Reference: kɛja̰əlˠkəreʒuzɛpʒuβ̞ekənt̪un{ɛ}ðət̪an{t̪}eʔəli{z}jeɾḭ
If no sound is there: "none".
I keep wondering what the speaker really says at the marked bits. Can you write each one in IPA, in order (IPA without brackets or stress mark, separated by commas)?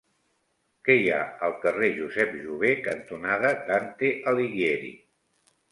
a, t̪, ɣ